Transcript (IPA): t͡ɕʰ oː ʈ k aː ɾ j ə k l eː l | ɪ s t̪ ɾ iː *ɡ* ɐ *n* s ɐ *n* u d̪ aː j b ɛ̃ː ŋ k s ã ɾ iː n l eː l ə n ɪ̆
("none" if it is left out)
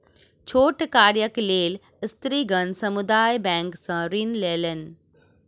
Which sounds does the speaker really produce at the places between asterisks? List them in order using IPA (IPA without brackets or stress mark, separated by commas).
ɡ, n, m